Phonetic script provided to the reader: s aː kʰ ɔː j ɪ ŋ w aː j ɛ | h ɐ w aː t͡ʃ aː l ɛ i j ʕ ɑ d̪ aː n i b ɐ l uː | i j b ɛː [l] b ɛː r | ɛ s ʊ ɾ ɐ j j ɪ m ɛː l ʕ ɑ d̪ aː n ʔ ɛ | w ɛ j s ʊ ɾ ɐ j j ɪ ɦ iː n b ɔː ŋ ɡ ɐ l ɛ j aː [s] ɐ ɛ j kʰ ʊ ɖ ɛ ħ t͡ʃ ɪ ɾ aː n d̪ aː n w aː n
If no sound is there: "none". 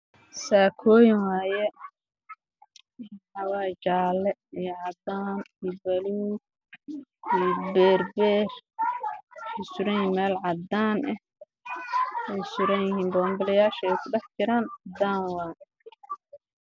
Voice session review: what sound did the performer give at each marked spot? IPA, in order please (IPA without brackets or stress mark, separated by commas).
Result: r, ʃ